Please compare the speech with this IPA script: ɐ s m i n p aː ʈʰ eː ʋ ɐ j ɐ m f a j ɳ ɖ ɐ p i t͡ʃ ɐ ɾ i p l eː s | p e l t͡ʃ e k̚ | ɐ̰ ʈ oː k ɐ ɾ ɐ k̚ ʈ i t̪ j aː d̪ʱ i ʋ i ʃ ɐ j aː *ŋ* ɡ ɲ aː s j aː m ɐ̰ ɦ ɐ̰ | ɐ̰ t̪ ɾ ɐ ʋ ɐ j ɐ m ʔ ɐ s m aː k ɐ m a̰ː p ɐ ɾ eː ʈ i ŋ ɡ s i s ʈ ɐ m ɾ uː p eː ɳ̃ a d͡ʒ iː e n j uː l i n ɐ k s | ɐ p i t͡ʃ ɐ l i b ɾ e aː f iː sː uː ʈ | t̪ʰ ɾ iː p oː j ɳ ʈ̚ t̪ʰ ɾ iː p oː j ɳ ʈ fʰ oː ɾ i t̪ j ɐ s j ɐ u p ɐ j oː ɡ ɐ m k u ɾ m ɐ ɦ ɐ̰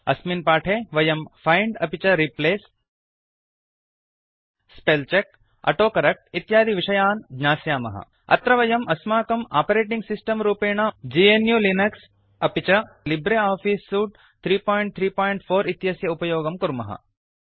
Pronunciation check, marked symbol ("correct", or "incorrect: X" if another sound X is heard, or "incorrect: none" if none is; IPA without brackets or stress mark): incorrect: n